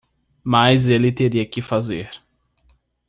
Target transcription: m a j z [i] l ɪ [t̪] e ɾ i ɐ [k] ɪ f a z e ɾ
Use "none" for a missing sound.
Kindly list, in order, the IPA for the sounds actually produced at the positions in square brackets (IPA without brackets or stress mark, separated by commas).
e, t̪, k